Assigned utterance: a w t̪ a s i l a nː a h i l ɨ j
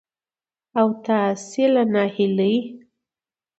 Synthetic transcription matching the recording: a w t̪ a s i l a n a h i l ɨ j